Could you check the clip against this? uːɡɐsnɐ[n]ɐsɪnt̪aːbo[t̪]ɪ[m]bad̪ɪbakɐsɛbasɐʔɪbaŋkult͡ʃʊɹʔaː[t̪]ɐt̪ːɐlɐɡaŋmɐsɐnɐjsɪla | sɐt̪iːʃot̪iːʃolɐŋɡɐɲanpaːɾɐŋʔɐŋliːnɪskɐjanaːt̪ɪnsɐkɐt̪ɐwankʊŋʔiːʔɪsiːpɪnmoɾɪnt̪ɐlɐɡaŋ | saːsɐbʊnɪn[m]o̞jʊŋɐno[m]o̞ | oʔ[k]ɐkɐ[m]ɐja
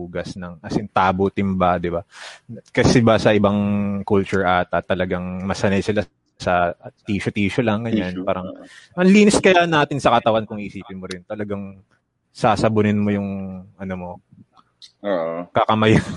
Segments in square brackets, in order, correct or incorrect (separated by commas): incorrect, correct, correct, correct, correct, correct, correct, correct